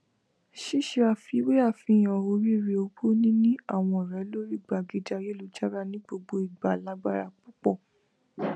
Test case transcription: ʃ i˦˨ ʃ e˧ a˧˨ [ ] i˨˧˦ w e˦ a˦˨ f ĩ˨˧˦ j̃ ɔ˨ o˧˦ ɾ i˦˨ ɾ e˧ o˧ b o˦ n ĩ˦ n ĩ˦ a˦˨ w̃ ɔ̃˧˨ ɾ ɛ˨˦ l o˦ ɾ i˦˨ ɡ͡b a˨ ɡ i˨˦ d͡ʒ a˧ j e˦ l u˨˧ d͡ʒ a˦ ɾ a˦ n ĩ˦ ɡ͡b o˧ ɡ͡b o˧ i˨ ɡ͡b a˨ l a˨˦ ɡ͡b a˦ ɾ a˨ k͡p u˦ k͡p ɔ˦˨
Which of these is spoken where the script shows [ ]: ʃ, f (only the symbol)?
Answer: f